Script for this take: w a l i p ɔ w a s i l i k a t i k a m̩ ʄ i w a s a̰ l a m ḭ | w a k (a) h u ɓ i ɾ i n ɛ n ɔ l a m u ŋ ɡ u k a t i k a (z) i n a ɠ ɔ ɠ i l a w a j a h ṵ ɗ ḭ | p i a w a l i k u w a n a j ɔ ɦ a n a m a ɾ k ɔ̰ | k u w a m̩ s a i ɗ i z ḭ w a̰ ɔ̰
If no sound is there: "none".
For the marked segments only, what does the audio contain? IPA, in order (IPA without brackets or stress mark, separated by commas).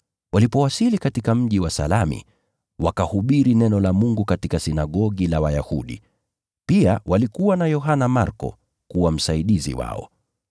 a, s